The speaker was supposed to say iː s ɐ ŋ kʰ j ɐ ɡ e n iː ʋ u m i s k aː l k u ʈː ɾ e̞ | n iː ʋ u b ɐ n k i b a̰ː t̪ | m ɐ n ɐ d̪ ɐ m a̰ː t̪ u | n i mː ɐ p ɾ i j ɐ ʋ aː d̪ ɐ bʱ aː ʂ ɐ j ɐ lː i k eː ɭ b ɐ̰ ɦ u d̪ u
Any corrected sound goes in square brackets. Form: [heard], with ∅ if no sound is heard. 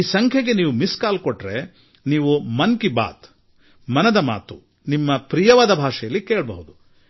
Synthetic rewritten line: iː s ɐ ŋ kʰ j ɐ ɡ e n iː ʋ u m i s k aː l k [o] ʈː ɾ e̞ | n iː ʋ u [m] ɐ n k i b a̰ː t̪ | m ɐ n ɐ d̪ ɐ m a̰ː t̪ u | n i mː ɐ p ɾ i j ɐ ʋ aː d̪ ɐ bʱ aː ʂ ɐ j ɐ lː i k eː ɭ b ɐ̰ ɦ u d̪ u